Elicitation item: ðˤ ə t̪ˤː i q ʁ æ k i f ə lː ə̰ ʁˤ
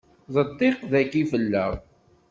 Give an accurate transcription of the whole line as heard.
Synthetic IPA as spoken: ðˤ ə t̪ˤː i q ð æ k i f ə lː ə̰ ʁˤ

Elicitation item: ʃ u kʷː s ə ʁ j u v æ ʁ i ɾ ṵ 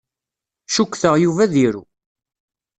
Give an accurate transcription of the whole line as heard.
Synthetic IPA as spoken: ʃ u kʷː θ ə ʁ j u v æ ð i ɾ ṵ

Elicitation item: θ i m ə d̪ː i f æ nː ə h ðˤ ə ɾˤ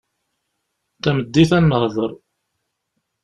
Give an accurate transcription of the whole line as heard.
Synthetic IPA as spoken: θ æ m ə d̪ː i θ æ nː ə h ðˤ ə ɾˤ

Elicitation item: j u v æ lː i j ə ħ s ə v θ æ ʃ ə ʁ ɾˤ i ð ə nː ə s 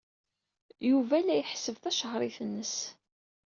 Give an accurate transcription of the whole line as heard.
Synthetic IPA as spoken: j u v æ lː æ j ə ħ s ə v θ æ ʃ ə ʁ ɾˤ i θ ə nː ə s

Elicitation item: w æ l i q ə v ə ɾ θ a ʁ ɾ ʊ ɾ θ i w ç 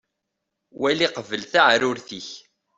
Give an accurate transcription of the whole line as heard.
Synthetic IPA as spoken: w æ l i q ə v ə l θ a ʕ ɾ ʊ ɾ θ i ç

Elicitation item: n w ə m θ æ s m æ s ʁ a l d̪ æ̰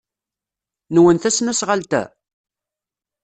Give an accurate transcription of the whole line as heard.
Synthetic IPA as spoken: n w ə n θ æ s n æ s ʁ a l t̪ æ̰

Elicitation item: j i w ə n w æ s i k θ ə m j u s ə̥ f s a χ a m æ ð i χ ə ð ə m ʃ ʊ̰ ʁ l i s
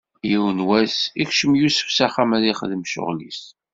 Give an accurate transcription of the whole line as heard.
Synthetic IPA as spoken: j i w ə n w æ s i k ʃ ə m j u s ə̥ f s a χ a m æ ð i χ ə ð ə m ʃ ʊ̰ ʁ l i s

